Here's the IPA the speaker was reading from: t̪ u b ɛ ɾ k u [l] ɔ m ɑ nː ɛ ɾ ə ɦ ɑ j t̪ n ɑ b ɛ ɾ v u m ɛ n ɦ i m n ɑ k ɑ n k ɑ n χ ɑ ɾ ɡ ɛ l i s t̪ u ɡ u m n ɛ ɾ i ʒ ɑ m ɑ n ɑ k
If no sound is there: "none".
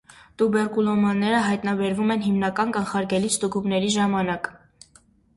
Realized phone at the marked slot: l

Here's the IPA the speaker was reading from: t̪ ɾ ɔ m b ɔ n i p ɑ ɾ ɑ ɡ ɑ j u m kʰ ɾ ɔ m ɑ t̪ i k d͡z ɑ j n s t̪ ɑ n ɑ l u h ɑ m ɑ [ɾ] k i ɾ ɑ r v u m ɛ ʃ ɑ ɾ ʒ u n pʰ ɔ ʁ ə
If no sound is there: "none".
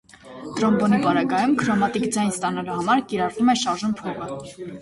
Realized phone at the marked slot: ɾ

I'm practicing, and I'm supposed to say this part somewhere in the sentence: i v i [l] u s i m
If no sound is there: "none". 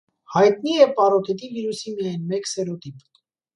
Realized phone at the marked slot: ɾ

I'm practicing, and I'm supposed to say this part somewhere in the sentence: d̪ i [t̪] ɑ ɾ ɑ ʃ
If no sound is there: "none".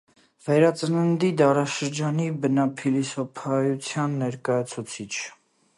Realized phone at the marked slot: d̪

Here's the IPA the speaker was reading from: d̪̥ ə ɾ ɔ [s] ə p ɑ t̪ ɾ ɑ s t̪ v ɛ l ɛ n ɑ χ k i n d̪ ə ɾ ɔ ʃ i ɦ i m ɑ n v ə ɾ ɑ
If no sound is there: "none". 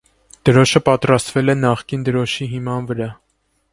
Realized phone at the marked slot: ʃ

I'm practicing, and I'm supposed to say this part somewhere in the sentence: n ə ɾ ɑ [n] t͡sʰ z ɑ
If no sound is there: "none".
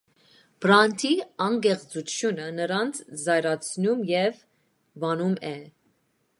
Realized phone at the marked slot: n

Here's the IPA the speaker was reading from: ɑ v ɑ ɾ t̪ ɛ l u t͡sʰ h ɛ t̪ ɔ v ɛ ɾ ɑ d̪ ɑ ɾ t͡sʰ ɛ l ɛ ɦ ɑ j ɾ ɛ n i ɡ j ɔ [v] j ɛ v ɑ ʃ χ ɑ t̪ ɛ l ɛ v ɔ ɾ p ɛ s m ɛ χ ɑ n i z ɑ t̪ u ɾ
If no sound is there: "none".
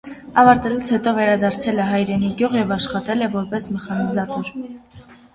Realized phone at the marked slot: ʁ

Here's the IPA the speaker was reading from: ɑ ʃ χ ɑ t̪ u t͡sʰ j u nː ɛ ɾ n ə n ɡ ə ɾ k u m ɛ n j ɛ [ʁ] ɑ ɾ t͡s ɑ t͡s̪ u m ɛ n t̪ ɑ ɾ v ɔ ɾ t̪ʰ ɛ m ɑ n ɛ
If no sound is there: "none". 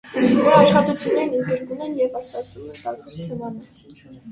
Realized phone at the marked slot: v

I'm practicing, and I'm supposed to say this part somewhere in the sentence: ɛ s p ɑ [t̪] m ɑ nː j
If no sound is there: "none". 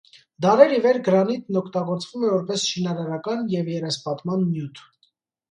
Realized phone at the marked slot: t̪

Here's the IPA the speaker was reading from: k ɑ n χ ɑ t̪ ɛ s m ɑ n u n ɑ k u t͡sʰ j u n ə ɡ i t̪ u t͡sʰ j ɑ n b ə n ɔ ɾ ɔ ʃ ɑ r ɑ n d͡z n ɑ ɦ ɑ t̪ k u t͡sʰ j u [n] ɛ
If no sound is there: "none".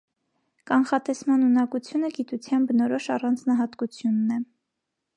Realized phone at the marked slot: nː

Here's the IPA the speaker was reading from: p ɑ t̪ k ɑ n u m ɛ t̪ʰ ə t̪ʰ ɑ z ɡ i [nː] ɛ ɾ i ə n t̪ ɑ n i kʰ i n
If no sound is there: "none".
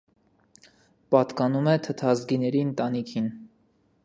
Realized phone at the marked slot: n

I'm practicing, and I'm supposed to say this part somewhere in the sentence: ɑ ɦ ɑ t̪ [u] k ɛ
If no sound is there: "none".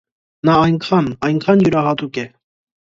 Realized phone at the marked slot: u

